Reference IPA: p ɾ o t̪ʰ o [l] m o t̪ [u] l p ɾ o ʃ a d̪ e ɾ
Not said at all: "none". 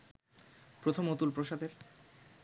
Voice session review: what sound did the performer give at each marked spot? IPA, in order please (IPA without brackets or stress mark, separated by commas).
none, u